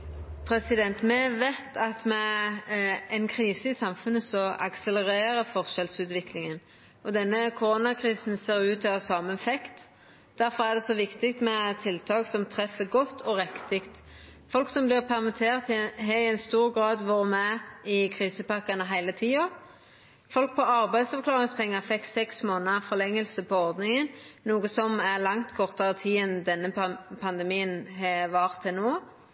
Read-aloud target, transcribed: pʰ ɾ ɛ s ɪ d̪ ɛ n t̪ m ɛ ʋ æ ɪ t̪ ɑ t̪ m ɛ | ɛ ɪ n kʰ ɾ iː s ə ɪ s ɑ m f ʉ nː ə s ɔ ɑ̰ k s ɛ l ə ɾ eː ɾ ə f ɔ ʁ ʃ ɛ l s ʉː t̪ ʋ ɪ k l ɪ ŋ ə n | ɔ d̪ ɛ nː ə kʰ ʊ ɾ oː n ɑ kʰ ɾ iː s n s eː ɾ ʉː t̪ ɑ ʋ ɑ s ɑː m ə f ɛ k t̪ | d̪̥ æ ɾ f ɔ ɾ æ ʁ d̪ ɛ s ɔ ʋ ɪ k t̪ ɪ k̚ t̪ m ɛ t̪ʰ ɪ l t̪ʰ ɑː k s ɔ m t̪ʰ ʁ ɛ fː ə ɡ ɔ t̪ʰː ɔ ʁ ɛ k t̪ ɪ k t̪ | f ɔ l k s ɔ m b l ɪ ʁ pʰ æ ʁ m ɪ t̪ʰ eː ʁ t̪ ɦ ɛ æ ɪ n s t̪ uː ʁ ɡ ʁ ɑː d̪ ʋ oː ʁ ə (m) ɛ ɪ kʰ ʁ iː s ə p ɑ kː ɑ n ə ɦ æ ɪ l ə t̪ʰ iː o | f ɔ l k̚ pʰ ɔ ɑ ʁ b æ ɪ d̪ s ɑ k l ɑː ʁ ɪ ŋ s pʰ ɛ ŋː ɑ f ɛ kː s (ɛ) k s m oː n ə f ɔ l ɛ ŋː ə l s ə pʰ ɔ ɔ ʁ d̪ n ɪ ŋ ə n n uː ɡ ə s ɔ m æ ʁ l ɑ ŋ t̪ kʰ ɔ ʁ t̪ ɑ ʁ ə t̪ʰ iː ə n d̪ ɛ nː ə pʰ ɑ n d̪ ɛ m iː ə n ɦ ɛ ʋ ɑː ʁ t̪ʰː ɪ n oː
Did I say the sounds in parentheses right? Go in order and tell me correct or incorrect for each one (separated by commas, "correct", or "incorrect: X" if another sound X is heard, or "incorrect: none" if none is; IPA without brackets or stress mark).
correct, correct